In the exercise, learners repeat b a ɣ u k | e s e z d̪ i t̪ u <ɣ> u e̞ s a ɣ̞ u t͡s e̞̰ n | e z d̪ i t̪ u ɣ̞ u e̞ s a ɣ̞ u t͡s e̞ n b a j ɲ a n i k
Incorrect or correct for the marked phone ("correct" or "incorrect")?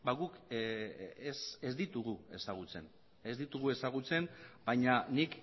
correct